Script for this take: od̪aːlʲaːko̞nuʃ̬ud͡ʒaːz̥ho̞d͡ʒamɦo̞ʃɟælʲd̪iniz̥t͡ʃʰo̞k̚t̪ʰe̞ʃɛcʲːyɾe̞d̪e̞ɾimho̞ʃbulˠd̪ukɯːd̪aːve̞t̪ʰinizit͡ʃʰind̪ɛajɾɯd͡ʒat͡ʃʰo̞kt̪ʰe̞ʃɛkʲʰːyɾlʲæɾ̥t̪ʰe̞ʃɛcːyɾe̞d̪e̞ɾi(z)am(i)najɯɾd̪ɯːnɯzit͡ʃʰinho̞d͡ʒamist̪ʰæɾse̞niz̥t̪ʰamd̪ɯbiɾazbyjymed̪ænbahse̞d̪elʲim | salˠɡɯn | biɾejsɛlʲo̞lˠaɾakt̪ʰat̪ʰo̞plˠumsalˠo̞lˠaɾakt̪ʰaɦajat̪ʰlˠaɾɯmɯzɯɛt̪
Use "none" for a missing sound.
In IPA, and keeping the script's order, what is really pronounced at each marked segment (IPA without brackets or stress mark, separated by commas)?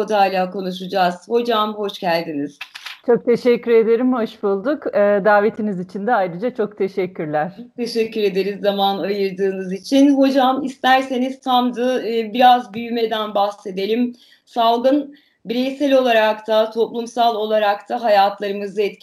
zː, a